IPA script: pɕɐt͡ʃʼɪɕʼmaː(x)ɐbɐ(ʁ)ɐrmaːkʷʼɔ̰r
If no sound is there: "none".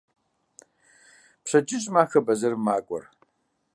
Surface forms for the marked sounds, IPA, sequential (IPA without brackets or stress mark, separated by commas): x, z